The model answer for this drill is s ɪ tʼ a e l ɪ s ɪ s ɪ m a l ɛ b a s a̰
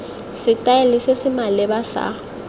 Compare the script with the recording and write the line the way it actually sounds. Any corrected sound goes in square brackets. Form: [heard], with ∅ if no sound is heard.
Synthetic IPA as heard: s ɪ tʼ a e l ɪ s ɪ s ɪ m a l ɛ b a s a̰